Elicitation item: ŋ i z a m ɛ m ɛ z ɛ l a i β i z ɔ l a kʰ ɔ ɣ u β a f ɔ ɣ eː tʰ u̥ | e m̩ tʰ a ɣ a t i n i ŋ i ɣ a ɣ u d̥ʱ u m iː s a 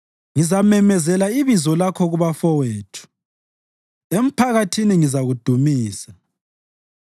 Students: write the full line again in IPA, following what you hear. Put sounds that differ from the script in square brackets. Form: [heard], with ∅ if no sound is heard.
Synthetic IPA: ŋ i z a m ɛ m ɛ z ɛ l a i β i z ɔ l a kʰ ɔ ɣ u β a f ɔ [w] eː tʰ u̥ | e m̩ [pʰ] a ɣ a [tʰ] i n i ŋ i [z] a ɣ u d̥ʱ u m iː s a